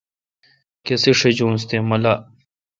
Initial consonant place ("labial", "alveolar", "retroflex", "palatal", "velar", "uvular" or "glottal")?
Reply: velar